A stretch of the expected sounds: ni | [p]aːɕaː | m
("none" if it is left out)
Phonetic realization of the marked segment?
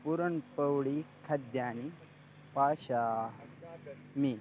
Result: p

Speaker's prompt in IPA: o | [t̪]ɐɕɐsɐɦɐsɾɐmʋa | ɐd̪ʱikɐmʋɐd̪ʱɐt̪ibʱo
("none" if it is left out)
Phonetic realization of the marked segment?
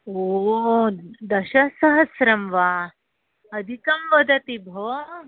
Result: d̪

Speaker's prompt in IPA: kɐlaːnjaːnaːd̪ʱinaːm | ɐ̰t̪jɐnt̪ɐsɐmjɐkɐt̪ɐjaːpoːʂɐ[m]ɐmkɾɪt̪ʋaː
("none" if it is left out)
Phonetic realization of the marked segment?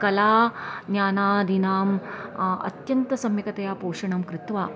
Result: ɳ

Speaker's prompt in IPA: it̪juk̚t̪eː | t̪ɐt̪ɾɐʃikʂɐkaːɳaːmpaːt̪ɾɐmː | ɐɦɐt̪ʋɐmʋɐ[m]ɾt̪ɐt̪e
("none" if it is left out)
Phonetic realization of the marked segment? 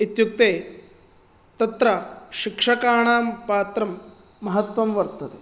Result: none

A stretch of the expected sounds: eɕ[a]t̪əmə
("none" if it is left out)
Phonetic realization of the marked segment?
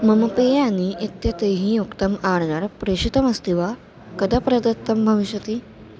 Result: i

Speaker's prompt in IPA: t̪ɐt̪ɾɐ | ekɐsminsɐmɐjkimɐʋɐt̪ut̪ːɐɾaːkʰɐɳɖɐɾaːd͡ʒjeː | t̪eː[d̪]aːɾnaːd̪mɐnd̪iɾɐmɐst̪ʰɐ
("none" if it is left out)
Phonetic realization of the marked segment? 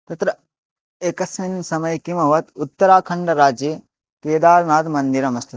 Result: d̪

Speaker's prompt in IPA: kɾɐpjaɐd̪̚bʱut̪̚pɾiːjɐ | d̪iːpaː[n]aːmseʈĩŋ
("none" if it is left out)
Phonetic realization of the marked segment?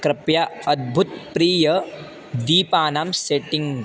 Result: n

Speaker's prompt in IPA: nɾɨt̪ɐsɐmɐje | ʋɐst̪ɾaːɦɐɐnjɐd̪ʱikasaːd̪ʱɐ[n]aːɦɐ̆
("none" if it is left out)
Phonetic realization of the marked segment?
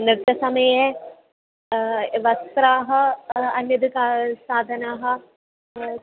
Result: n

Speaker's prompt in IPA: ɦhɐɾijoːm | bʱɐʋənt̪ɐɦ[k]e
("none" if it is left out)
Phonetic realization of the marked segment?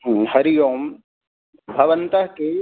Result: k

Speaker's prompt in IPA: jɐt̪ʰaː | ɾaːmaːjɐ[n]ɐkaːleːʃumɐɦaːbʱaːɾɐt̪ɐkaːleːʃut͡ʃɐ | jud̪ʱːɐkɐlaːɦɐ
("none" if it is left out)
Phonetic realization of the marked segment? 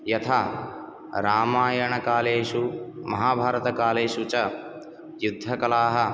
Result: ɳ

